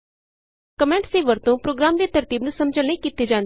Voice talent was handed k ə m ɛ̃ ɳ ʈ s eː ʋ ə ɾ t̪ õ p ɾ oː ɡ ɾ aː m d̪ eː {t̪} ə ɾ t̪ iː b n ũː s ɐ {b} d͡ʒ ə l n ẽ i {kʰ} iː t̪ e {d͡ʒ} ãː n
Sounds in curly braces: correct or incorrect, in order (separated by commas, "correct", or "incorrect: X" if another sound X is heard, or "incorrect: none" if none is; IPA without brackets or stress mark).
correct, incorrect: m, incorrect: k, correct